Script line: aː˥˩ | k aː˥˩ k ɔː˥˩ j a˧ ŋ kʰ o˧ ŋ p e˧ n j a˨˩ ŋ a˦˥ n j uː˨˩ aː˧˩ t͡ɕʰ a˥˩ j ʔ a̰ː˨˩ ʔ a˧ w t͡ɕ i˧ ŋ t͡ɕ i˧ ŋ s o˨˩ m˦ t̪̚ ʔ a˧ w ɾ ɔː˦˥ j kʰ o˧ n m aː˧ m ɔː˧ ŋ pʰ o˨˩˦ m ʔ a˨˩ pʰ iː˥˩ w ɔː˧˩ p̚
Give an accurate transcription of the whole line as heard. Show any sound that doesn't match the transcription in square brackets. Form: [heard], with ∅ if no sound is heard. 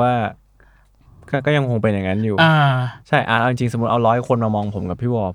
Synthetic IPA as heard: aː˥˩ | k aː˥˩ k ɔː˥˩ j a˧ ŋ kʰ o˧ ŋ p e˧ n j a˨˩ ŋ a˦˥ n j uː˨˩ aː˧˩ t͡ɕʰ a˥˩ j ʔ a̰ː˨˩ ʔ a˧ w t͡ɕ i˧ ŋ t͡ɕ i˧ ŋ s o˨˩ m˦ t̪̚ ʔ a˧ w ɾ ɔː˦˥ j kʰ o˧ n m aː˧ m ɔː˧ ŋ pʰ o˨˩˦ m [k] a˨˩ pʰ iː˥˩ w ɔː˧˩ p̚